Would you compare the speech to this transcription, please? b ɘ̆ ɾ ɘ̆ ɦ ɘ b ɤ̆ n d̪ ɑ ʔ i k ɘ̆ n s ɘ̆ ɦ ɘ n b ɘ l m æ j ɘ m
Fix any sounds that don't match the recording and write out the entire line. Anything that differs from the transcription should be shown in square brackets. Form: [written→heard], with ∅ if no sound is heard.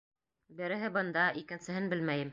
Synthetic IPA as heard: b ɘ̆ ɾ ɘ̆ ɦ ɘ b ɤ̆ n d̪ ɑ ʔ i k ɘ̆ n s ɘ̆ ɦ ɘ n b ɘ l m æ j ɘ m